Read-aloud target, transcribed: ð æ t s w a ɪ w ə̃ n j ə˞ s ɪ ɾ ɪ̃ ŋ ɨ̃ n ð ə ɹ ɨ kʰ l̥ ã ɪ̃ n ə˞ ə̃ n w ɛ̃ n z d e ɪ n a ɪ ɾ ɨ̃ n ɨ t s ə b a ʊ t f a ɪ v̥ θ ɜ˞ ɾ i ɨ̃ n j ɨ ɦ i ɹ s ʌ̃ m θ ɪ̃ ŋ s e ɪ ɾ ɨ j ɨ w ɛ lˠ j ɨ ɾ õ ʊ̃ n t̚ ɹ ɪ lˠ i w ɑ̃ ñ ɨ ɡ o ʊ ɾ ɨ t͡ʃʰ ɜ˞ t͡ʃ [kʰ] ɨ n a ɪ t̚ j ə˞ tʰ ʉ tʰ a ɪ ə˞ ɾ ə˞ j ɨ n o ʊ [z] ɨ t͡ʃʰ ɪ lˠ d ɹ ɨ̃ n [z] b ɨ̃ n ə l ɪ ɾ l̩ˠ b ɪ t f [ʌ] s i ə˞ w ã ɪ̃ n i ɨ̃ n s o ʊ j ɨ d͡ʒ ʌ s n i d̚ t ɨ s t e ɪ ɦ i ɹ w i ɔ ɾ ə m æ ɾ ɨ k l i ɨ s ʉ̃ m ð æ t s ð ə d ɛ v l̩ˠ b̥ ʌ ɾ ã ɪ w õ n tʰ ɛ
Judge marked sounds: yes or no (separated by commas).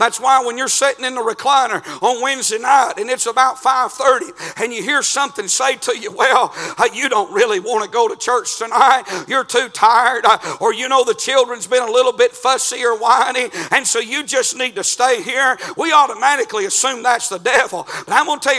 no, no, yes, yes